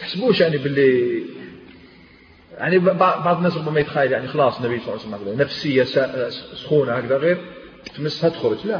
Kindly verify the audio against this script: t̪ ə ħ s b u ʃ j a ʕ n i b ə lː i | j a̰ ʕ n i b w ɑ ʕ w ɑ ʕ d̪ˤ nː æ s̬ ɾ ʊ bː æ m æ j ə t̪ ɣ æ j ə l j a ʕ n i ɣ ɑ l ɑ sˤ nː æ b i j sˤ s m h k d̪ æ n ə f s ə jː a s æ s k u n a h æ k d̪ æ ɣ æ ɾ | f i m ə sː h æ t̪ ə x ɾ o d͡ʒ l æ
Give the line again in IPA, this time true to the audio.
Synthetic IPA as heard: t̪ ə ħ s b u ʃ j a ʕ n i b ə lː i | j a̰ ʕ n i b b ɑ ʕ b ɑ ʕ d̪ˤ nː æ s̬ ɾ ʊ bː æ m æ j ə t̪ x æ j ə l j a ʕ n i x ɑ l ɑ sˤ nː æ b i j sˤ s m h k d̪ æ n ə f s ə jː a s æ s x u n a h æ k d̪ æ ɣ i ɾ | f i m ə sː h æ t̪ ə x ɾ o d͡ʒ l æ